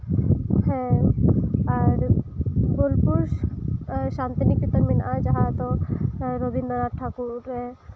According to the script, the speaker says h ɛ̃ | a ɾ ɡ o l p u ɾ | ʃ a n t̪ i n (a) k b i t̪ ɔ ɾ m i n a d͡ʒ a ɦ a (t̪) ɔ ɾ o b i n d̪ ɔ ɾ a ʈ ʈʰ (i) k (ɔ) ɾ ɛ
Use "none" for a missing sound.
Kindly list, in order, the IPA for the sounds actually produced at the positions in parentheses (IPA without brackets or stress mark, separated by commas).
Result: i, t̪, a, u